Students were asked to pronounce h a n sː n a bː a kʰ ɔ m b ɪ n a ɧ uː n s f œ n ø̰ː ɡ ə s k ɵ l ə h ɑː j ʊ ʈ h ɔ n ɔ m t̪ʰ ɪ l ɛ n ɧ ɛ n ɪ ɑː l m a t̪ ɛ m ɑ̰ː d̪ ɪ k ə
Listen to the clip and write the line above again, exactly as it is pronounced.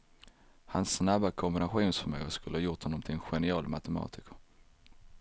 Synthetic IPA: h a n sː n a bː a kʰ ɔ m b ɪ n a ɧ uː n s f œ m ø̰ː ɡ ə s k ɵ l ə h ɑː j ʊ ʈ h ɔ n ɔ m t̪ʰ ɪ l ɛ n ɧ ɛ n ɪ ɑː l m a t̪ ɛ m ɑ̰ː t̪ ɪ k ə